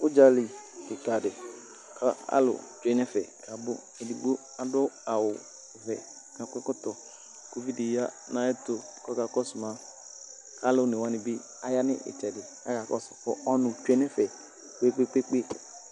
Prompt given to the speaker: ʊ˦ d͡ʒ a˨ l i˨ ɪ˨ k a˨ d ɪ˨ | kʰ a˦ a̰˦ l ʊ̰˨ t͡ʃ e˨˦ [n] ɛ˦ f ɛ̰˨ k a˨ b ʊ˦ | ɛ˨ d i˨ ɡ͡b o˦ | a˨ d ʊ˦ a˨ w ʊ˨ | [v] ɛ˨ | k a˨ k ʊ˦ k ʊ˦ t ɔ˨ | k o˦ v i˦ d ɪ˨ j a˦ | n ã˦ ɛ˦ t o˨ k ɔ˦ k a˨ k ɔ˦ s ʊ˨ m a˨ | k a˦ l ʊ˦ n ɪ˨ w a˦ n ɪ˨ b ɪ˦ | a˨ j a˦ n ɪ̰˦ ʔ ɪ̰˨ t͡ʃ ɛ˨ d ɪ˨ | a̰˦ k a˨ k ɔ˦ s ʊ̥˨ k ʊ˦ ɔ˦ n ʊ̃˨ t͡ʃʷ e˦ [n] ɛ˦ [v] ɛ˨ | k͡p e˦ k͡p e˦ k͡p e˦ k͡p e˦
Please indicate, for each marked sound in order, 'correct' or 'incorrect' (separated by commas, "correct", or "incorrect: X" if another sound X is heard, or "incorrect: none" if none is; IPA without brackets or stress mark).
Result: correct, correct, correct, incorrect: f